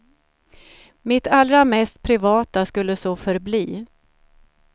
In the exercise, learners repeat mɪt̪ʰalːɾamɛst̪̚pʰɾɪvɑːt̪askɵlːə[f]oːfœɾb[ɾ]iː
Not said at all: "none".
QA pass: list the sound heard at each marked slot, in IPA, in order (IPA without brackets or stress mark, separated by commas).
s, l